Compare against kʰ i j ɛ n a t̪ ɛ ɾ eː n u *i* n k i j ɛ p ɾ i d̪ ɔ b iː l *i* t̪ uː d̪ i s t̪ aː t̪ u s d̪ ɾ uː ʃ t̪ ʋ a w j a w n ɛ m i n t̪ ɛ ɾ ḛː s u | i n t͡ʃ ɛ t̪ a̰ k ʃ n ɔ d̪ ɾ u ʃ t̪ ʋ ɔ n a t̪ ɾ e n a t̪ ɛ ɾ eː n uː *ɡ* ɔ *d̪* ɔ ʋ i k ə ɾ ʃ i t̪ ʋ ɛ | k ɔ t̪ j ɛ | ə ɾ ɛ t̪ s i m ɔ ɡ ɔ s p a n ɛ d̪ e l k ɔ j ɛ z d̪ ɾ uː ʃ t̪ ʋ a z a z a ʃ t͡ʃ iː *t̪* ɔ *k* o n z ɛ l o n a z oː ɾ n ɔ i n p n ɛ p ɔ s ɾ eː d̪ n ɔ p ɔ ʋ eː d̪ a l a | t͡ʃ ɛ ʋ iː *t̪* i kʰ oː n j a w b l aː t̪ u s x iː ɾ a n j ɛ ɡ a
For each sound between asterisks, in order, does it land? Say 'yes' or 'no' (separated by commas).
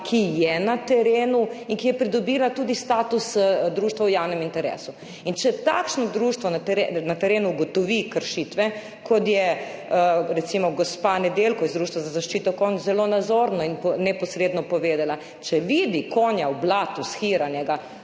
yes, no, yes, no, yes, yes, no